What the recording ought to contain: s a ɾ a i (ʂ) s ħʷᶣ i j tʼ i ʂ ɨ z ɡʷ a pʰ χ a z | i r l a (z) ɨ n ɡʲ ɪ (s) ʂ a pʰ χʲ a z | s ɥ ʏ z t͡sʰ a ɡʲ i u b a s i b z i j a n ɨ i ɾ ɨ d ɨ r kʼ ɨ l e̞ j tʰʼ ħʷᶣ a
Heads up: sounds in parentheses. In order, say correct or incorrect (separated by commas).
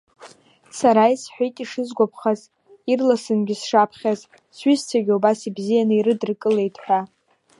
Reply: incorrect, incorrect, correct